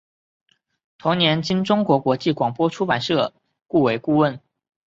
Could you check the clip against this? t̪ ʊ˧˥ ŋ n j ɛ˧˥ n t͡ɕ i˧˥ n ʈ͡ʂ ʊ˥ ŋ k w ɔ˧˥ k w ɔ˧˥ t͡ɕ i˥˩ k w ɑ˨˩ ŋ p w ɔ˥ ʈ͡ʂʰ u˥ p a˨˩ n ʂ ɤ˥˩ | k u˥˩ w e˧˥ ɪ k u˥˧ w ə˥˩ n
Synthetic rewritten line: t̪ʰ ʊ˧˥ ŋ n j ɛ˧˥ n t͡ɕ i˥ n ʈ͡ʂ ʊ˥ ŋ k w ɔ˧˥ k w ɔ˧˥ t͡ɕ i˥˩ k w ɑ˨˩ ŋ p w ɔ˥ ʈ͡ʂʰ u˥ p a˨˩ n ʂ ɤ˥˩ | k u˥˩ w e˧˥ ɪ k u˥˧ w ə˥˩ n

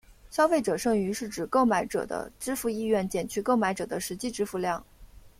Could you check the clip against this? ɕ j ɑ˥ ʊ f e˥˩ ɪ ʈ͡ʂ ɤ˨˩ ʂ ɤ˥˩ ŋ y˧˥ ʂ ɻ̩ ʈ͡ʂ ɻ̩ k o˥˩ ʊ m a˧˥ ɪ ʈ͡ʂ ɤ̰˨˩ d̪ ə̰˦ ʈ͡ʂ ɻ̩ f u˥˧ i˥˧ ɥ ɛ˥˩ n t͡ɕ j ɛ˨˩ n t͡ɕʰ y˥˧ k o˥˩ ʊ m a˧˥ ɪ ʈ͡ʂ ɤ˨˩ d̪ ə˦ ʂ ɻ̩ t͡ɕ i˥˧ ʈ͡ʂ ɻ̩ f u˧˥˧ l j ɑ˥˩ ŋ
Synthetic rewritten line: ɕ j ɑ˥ ʊ f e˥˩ ɪ ʈ͡ʂ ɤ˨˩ ʂ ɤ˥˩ ŋ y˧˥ ʂ ɻ̩ ʈ͡ʂ ɻ̩ k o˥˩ ʊ m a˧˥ ɪ ʈ͡ʂ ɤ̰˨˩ d̪ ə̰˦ ʈ͡ʂ ɻ̩ f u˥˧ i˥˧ ɥ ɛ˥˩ n t͡ɕ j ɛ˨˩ n t͡ɕʰ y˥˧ k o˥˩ ʊ m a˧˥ ɪ ʈ͡ʂ ɤ˨˩ d̪ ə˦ ʂ ɻ̩ t͡ɕ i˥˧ ʈ͡ʂ ɻ̩ f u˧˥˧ l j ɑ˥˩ ŋ

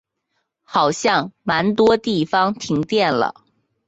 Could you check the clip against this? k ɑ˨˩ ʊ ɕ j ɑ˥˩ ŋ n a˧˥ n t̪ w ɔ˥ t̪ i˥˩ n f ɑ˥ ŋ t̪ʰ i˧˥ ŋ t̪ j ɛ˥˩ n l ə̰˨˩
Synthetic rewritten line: x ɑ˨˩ ʊ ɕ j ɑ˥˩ ŋ m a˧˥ n t̪ w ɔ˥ t̪ i˥˩ f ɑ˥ ŋ t̪ʰ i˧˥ ŋ t̪ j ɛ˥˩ n l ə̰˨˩

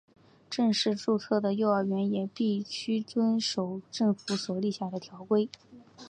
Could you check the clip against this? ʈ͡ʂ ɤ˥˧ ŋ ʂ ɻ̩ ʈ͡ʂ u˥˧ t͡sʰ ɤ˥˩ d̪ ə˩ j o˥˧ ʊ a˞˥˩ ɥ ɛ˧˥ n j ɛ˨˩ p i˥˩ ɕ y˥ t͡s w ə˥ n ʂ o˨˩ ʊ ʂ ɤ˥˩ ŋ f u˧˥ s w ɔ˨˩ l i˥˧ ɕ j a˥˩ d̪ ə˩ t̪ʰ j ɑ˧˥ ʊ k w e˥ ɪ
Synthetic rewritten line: ʈ͡ʂ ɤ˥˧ ŋ ʂ ɻ̩ ʈ͡ʂ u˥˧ t͡sʰ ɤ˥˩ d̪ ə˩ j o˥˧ ʊ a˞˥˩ ɥ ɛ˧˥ n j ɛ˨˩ p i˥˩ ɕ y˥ t͡s w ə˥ n ʂ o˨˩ ʊ ʈ͡ʂ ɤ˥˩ ŋ f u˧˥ s w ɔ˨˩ l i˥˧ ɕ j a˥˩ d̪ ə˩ t̪ʰ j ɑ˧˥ ʊ k w e˥ ɪ

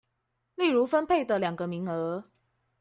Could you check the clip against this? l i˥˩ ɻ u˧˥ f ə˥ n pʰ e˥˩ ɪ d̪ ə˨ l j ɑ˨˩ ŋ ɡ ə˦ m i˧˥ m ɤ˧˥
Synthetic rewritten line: l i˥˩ ɻ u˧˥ f ə˥ n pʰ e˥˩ ɪ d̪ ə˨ l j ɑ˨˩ ŋ ɡ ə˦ m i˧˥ ŋ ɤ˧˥

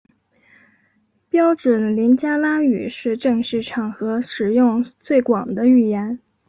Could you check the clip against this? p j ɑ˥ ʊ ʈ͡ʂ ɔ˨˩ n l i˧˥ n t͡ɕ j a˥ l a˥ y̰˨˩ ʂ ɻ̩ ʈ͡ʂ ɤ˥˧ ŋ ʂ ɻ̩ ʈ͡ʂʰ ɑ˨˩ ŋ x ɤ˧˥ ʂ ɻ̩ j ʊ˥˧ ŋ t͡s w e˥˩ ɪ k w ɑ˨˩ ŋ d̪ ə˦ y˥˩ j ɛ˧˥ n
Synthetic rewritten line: p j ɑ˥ ʊ ʈ͡ʂ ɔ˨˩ n l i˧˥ n t͡ɕ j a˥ l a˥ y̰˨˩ ʂ ɻ̩ ʈ͡ʂ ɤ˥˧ ŋ ʂ ɻ̩ ʈ͡ʂʰ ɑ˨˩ ŋ x ɤ˧˥ ʂ ɻ̩ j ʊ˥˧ ŋ t͡s w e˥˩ ɪ k w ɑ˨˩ ŋ d̪ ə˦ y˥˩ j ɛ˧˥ n

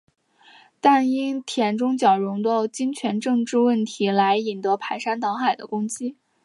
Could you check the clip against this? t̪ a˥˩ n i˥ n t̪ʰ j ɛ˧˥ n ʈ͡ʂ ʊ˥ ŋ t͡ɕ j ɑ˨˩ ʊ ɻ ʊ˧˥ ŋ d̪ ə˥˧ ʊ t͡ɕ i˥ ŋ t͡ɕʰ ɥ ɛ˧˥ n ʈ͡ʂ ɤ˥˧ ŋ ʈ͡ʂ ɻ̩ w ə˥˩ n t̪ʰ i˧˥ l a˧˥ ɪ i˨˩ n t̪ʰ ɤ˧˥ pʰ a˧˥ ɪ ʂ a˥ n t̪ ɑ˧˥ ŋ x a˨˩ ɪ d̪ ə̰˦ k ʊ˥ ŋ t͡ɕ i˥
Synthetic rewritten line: t̪ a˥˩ n i˥ n t̪ʰ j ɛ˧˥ n ʈ͡ʂ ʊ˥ ŋ t͡ɕ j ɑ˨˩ ʊ ɻ ʊ˧˥ ŋ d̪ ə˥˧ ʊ t͡ɕ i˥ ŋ t͡ɕʰ ɥ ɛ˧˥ n ʈ͡ʂ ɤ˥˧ ŋ ʈ͡ʂ ɻ̩ w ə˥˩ n t̪ʰ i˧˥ l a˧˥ ɪ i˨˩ n t̪ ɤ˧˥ pʰ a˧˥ ɪ ʂ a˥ n t̪ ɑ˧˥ ŋ x a˨˩ ɪ d̪ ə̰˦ k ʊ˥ ŋ t͡ɕ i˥

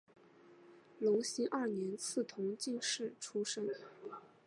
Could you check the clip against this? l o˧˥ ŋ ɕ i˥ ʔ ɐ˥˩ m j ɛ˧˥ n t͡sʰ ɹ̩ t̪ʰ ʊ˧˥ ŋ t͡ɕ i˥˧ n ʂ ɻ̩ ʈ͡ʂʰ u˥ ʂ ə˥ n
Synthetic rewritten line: l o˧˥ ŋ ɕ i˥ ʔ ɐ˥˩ n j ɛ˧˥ n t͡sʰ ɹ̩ t̪ʰ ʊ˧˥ ŋ t͡ɕ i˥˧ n ʂ ɻ̩ ʈ͡ʂʰ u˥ ʂ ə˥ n

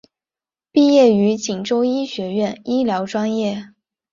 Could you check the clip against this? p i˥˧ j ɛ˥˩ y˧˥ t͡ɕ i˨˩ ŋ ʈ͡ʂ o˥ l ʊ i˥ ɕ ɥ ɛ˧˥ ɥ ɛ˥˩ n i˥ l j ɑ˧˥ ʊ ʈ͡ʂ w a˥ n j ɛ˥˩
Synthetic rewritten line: p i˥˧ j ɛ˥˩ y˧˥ t͡ɕ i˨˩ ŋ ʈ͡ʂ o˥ ʊ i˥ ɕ ɥ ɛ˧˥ ɥ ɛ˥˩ n i˥ l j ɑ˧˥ ʊ ʈ͡ʂ w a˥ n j ɛ˥˩

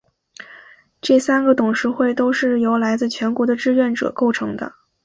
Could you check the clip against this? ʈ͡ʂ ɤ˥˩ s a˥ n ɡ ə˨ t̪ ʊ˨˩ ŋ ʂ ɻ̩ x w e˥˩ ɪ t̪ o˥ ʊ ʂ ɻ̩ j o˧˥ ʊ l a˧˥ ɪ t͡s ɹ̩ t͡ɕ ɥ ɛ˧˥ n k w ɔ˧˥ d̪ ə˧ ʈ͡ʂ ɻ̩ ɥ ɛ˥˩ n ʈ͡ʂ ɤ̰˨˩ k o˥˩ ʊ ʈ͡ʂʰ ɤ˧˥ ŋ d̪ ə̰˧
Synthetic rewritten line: ʈ͡ʂ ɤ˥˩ s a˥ n ɡ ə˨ t̪ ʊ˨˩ ŋ ʂ ɻ̩ x w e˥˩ ɪ t̪ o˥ ʊ ʂ ɻ̩ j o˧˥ ʊ l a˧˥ ɪ t͡s ɹ̩ t͡ɕʰ ɥ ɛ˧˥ n k w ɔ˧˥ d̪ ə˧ ʈ͡ʂ ɻ̩ ɥ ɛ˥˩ n ʈ͡ʂ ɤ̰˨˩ k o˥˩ ʊ ʈ͡ʂʰ ɤ˧˥ ŋ d̪ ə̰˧

